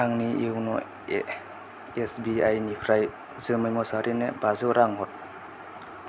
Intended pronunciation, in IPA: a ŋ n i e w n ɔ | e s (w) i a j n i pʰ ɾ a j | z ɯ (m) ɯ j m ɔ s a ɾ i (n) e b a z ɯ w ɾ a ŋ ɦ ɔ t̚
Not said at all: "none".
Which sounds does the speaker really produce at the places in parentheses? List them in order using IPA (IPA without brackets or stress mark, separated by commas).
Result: b, m, n